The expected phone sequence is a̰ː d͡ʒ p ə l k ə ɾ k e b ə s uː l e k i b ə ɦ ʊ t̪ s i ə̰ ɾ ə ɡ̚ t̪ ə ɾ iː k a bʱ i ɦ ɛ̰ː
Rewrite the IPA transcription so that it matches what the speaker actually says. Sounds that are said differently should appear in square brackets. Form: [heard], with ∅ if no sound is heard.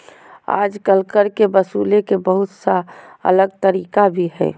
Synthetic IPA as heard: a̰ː d͡ʒ [k] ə l k ə ɾ k e b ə s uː l e k [e] b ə ɦ ʊ t̪ s [a] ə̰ [l] ə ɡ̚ t̪ ə ɾ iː k a bʱ i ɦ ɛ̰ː